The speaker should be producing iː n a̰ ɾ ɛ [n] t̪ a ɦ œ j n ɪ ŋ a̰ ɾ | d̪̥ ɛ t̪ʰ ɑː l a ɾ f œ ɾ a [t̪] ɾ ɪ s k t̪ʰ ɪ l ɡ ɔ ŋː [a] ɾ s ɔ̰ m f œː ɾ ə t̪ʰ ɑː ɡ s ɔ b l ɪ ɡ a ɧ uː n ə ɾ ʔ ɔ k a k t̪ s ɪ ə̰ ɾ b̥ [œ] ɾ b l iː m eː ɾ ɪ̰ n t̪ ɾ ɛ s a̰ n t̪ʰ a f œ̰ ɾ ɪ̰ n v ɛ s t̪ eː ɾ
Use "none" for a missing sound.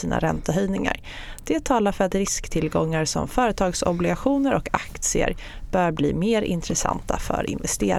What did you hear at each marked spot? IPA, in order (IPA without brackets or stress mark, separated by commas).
n, t̪, a, œː